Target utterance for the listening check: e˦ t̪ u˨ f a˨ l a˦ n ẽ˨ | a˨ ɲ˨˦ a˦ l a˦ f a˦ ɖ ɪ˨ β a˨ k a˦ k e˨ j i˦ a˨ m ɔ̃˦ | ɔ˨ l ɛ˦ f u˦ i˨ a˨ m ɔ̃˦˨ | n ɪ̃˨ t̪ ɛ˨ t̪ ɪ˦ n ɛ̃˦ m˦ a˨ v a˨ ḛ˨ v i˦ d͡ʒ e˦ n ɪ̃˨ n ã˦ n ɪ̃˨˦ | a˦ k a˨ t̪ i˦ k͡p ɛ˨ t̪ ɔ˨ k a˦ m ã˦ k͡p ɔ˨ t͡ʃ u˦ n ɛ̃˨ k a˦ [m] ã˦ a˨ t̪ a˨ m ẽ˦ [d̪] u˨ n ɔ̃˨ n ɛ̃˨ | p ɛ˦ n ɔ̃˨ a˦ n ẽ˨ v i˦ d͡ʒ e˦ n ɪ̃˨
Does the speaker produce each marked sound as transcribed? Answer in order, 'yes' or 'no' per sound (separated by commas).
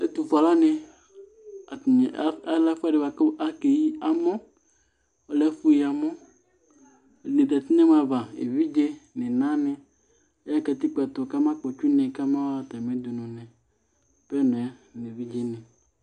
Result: yes, yes